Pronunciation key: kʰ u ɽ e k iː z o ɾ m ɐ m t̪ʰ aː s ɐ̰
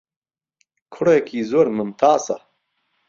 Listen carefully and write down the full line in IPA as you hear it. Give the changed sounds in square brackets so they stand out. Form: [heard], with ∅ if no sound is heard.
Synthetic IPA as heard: kʰ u ɽ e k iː z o ɾ m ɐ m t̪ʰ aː s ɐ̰